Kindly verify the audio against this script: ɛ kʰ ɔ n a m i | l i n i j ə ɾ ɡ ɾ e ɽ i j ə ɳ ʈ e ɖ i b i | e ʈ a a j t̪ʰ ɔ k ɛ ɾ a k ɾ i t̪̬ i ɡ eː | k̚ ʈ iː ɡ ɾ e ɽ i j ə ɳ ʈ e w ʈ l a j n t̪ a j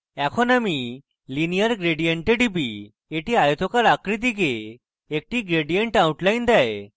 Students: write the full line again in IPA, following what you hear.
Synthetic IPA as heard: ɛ kʰ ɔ n a m i | l i n i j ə ɾ ɡ ɾ e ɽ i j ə ɳ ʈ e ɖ i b i | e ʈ i a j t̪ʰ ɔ k a ɾ a k ɾ i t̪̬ i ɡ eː | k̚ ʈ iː ɡ ɾ e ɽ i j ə ɳ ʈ a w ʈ l a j n d̪ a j

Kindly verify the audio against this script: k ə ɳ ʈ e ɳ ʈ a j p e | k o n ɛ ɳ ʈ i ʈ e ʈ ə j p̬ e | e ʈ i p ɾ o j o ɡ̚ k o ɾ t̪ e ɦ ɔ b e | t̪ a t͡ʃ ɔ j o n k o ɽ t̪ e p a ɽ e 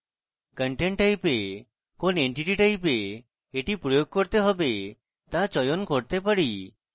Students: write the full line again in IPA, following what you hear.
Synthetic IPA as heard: k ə ɳ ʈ e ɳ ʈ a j p e | k o n e ɳ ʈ i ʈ i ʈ a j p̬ e | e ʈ i p ɾ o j o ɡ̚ k o ɾ t̪ e ɦ ɔ b e | t̪ a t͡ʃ ɔ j o n k o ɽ t̪ e p a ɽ i

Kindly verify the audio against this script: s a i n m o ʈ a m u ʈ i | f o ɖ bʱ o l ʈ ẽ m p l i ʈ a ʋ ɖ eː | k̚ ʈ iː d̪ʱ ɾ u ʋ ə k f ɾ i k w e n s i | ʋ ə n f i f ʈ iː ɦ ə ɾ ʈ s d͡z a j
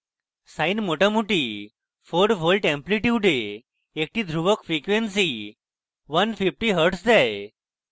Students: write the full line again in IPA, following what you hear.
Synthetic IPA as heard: s a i n m o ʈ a m u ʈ i | f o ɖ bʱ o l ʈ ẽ m p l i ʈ i ʋ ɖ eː | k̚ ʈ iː d̪ʱ ɾ u ʋ ə k f ɾ i k ʋ e n s i | ʋ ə n f i f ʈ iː ɦ ə ɾ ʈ s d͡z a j

